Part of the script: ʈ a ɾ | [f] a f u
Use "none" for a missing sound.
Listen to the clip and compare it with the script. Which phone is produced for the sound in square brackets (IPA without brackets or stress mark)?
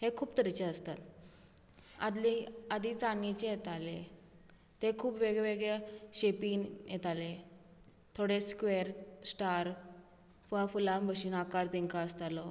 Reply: f